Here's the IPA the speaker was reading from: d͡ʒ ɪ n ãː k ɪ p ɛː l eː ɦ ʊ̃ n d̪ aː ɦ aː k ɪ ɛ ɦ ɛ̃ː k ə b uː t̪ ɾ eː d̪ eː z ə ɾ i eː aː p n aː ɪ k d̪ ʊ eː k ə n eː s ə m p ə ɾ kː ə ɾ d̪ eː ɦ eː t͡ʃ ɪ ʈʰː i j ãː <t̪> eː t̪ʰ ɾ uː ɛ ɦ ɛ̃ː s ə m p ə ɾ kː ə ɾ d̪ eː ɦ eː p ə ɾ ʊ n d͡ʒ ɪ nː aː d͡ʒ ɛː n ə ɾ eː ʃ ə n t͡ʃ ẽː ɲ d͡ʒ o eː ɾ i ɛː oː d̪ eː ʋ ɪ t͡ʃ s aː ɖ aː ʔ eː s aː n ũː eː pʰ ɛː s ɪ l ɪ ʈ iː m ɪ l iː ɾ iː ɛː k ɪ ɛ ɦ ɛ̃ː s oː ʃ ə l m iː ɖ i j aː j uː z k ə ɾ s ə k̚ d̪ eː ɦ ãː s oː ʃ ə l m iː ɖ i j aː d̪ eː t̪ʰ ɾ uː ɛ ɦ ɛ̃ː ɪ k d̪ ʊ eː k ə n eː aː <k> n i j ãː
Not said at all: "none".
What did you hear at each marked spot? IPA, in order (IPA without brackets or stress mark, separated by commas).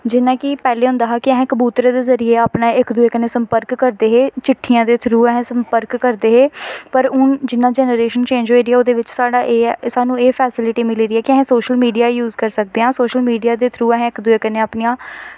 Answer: d̪, p